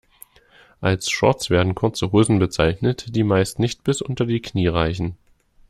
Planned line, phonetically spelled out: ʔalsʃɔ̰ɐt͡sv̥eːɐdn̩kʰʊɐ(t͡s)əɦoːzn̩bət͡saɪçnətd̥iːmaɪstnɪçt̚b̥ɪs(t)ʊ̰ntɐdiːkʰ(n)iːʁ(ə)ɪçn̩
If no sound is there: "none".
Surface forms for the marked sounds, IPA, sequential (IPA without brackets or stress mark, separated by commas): t͡s, ʔ, n, a